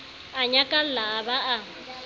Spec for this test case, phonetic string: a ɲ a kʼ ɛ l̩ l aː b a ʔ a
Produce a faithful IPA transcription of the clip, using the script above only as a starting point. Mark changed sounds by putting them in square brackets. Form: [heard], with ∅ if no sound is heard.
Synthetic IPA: a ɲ a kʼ [a] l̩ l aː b a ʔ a